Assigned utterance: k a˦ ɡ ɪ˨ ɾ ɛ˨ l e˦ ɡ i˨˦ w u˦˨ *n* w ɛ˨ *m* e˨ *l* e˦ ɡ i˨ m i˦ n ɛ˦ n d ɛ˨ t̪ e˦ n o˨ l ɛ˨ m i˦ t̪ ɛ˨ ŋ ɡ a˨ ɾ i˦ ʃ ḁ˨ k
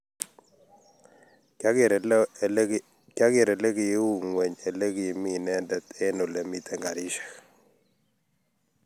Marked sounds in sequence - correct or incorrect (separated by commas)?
incorrect, incorrect, correct